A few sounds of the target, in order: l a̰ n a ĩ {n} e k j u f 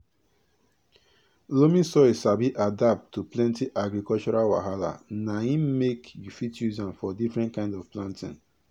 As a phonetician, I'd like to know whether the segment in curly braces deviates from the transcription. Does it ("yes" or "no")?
yes